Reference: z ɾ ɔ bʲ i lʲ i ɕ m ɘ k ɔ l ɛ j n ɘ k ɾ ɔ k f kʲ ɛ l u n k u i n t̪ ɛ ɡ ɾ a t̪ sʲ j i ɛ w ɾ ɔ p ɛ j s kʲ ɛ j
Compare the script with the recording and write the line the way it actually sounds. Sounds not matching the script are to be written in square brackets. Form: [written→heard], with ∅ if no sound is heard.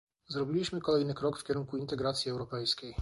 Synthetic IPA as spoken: z ɾ ɔ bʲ i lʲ i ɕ m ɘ k ɔ l ɛ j n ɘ k ɾ ɔ k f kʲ ɛ [l→ɾ] u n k u i n t̪ ɛ ɡ ɾ a t̪ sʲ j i ɛ w ɾ ɔ p ɛ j s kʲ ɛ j

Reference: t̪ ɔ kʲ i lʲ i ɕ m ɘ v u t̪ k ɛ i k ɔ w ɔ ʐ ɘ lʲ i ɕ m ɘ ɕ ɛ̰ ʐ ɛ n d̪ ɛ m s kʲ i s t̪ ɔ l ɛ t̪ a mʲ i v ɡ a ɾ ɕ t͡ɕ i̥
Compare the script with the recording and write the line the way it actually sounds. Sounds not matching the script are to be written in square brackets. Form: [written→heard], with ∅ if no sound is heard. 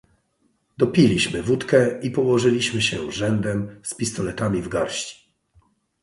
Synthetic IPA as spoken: [t̪→d̪] ɔ [kʲ→pʲ] i lʲ i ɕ m ɘ v u t̪ k ɛ i [k→p] ɔ w ɔ ʐ ɘ lʲ i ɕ m ɘ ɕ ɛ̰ ʐ ɛ n d̪ ɛ m s [kʲ→pʲ] i s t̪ ɔ l ɛ t̪ a mʲ i v ɡ a ɾ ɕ t͡ɕ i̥

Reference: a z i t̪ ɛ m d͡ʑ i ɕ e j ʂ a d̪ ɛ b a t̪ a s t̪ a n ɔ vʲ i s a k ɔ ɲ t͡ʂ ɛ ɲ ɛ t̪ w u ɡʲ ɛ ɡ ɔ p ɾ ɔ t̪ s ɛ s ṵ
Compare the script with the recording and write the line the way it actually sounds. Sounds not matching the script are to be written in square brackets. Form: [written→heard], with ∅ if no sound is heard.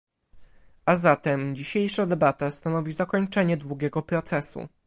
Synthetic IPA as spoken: a z [i→a] t̪ ɛ m d͡ʑ i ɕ e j ʂ a d̪ ɛ b a t̪ a s t̪ a n ɔ vʲ i [s→z] a k ɔ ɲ t͡ʂ ɛ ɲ ɛ [t̪→d̪] w u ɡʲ ɛ ɡ ɔ p ɾ ɔ t̪ s ɛ s ṵ

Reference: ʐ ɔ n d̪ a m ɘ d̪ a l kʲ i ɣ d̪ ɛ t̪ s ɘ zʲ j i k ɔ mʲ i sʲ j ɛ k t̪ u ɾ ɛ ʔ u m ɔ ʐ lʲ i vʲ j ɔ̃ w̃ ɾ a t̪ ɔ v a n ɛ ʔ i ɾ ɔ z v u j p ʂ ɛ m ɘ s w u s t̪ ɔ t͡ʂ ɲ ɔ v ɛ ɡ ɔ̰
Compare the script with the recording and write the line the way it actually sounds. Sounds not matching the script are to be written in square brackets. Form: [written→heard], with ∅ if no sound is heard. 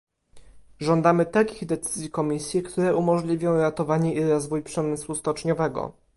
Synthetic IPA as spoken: ʐ ɔ n d̪ a m ɘ [d̪→t̪] a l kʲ i ɣ d̪ ɛ t̪ s ɘ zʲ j i k ɔ mʲ i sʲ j ɛ k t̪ u ɾ ɛ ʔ u m ɔ ʐ lʲ i vʲ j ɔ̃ w̃ ɾ a t̪ ɔ v a [n→ɲ] ɛ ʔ i ɾ ɔ z v u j p ʂ ɛ m ɘ s w u s t̪ ɔ t͡ʂ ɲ ɔ v ɛ ɡ ɔ̰

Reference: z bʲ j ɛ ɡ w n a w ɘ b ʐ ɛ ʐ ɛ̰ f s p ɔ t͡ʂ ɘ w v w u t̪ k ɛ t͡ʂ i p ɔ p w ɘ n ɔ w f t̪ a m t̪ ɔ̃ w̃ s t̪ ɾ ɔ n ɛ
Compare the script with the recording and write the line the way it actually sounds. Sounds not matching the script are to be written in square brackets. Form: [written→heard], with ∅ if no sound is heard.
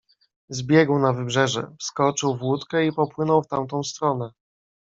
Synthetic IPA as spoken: z bʲ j ɛ ɡ w n a [w→v] ɘ b ʐ ɛ ʐ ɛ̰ f s [p→k] ɔ t͡ʂ ɘ w v w u t̪ k ɛ [t͡ʂ→∅] i p ɔ p w ɘ n ɔ w f t̪ a m t̪ ɔ̃ w̃ s t̪ ɾ ɔ n ɛ

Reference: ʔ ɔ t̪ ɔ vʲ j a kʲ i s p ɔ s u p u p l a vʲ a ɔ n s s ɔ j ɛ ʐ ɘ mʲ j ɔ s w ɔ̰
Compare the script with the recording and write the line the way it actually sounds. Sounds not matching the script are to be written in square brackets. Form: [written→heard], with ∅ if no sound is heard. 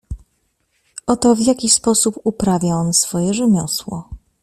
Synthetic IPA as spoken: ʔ ɔ t̪ ɔ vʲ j a kʲ i s p ɔ s u p u p [l→ɾ] a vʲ a ɔ n s [s→f] ɔ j ɛ ʐ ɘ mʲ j ɔ s w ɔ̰

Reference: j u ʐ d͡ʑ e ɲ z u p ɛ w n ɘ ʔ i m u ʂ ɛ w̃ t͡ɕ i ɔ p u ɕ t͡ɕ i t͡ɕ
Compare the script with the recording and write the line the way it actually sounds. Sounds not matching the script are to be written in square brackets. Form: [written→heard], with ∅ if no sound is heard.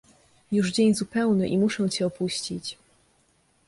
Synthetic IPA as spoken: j u ʐ d͡ʑ e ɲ z u p ɛ w n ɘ ʔ i m u ʂ ɛ w̃ t͡ɕ [i→ɛ] ɔ p u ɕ t͡ɕ i t͡ɕ

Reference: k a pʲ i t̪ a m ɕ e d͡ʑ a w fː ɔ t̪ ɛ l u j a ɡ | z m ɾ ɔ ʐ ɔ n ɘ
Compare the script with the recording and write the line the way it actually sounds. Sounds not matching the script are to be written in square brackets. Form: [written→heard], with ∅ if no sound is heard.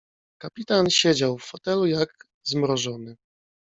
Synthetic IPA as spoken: k a pʲ i t̪ a [m→n] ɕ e d͡ʑ a w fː ɔ t̪ ɛ l u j a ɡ | z m ɾ ɔ ʐ ɔ n ɘ

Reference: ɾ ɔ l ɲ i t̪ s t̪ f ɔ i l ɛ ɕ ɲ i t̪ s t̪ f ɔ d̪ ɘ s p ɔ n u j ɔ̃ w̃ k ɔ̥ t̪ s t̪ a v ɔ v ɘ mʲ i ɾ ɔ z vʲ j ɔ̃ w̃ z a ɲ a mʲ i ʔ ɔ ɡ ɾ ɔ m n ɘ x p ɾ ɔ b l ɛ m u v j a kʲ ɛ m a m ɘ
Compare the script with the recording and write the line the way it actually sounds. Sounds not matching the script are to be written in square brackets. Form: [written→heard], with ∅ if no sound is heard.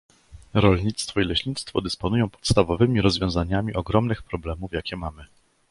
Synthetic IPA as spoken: ɾ ɔ l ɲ i t̪ s t̪ f ɔ i l ɛ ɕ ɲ i t̪ s t̪ f ɔ d̪ ɘ s p ɔ n u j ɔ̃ w̃ [k→p] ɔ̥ t̪ s t̪ a v ɔ v ɘ mʲ i ɾ ɔ z vʲ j ɔ̃ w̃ z a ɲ a mʲ i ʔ ɔ ɡ ɾ ɔ m n ɘ x p ɾ ɔ b l ɛ m u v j a kʲ ɛ m a m ɘ

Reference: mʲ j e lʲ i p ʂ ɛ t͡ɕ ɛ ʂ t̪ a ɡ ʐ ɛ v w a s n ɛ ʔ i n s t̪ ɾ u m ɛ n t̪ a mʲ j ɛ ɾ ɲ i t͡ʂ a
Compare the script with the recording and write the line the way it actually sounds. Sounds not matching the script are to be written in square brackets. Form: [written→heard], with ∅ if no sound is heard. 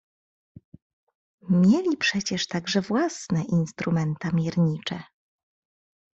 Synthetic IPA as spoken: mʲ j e lʲ i p ʂ ɛ t͡ɕ ɛ ʂ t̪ a ɡ ʐ ɛ v w a s n ɛ ʔ i n s t̪ ɾ u m ɛ n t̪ a mʲ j ɛ ɾ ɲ i t͡ʂ [a→ɛ]

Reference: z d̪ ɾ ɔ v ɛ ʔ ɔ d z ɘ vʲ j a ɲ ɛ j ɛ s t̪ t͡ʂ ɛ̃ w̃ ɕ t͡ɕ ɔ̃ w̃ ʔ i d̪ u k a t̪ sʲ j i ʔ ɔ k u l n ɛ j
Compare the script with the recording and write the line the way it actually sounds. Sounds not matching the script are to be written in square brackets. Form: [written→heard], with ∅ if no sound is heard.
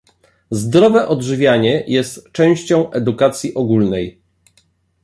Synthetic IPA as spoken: z d̪ ɾ ɔ v ɛ ʔ ɔ d [z→ʐ] ɘ vʲ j a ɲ ɛ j ɛ s t̪ t͡ʂ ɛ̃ w̃ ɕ t͡ɕ ɔ̃ w̃ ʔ [i→ɛ] d̪ u k a t̪ sʲ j i ʔ ɔ [k→ɡ] u l n ɛ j

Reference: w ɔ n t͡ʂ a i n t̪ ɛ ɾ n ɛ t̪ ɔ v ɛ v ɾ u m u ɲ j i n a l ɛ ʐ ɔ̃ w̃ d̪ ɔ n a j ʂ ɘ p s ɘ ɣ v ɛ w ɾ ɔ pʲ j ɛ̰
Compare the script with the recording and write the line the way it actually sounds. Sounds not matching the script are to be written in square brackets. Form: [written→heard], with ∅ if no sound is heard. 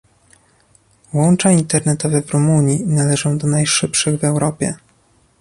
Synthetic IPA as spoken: w ɔ n t͡ʂ a i n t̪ ɛ ɾ n ɛ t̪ ɔ v ɛ v ɾ u m u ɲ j i n a l ɛ ʐ ɔ̃ w̃ d̪ ɔ n a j ʂ ɘ p [s→ʂ] ɘ ɣ v ɛ w ɾ ɔ pʲ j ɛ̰

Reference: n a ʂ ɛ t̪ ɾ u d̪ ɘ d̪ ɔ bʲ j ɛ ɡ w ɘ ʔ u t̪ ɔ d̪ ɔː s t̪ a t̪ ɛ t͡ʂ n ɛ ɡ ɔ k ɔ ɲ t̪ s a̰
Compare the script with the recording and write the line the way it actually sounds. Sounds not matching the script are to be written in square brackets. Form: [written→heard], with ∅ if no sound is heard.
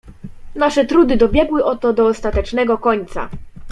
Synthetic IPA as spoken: n a ʂ ɛ t̪ ɾ u d̪ ɘ d̪ ɔ bʲ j ɛ ɡ w ɘ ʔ [u→ɔ] t̪ ɔ d̪ ɔː s t̪ a t̪ ɛ t͡ʂ n ɛ ɡ ɔ k ɔ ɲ t̪ s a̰

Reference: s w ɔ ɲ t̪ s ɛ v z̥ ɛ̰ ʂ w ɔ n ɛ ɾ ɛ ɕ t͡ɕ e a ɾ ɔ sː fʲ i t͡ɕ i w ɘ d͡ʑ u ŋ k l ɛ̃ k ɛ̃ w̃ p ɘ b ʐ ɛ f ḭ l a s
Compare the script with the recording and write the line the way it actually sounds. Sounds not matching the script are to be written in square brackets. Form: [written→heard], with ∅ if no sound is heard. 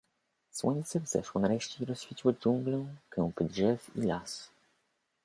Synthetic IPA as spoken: s w ɔ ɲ t̪ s ɛ v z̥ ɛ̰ ʂ w ɔ n [ɛ→a] ɾ ɛ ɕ t͡ɕ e [a→i] ɾ ɔ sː fʲ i t͡ɕ i w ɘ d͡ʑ u ŋ [k→ɡ] l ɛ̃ k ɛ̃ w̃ p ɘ [b→d] ʐ ɛ f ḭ l a s

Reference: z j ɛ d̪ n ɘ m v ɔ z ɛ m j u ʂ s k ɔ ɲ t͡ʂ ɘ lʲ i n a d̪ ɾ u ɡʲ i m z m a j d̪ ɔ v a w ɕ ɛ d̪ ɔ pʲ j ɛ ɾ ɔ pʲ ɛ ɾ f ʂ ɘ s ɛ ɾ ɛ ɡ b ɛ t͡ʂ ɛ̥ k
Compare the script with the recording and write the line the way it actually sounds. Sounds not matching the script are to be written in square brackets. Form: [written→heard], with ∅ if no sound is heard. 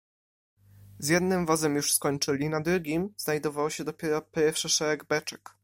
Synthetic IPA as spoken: z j ɛ d̪ n ɘ m v ɔ z ɛ m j u ʂ s k ɔ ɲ t͡ʂ ɘ lʲ i n a d̪ ɾ u ɡʲ i m z [m→n] a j d̪ ɔ v a w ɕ ɛ d̪ ɔ pʲ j ɛ ɾ ɔ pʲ ɛ ɾ f ʂ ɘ [s→ʂ] ɛ ɾ ɛ ɡ b ɛ t͡ʂ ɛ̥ k

